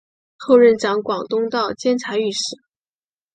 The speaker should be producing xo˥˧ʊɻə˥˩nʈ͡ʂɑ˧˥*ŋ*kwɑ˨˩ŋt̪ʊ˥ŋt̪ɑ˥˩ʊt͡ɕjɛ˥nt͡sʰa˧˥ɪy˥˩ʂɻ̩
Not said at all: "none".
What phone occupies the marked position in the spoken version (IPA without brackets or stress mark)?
ŋ